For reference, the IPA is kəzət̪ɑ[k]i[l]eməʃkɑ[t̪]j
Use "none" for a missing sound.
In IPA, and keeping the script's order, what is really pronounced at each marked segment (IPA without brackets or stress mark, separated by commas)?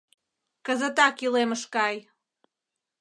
k, l, none